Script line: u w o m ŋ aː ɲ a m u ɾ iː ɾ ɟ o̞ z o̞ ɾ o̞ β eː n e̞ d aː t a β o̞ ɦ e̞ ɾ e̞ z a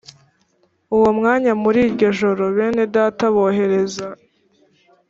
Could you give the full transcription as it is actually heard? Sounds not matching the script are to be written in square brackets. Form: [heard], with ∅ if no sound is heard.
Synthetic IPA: u w o m ŋ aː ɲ a m u ɾ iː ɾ ɟ o̞ [ʒ] o̞ ɾ o̞ β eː n e̞ d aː t a β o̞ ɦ e̞ ɾ e̞ z a